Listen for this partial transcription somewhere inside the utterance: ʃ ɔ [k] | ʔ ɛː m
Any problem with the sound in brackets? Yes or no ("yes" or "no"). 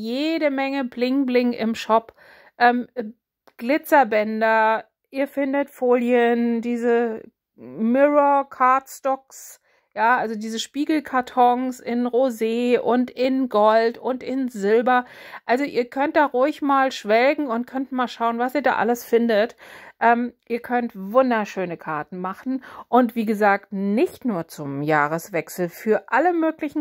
yes